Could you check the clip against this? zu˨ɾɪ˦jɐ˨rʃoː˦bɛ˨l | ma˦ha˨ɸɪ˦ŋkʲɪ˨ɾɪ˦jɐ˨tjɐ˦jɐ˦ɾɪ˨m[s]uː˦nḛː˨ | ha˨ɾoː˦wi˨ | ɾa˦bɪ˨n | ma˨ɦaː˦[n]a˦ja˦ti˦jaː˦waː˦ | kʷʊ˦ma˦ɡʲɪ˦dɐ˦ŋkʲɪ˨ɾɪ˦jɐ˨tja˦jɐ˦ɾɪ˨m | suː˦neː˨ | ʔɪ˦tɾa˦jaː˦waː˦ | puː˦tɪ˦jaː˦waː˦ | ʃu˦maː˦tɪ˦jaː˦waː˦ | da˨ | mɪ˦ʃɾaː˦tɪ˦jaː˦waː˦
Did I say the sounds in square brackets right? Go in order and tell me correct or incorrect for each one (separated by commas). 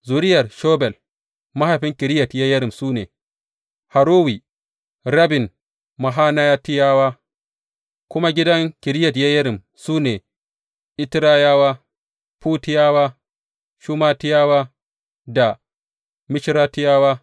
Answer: correct, correct